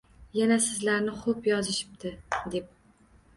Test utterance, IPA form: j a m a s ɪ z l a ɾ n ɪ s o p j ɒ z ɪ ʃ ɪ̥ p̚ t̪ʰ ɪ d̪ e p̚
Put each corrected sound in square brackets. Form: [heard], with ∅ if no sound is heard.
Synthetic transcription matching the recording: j a [n] a s ɪ z l a ɾ n ɪ [χ] o p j ɒ z ɪ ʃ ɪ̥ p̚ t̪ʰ ɪ d̪ e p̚